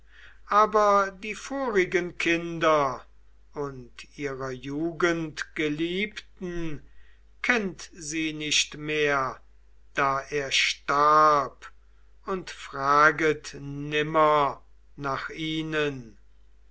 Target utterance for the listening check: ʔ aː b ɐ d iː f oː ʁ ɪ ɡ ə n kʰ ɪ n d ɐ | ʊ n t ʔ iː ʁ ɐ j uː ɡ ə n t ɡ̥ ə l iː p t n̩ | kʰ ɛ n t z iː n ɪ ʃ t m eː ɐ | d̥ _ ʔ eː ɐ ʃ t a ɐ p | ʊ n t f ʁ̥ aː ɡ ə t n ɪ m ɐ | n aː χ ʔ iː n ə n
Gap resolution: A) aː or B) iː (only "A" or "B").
A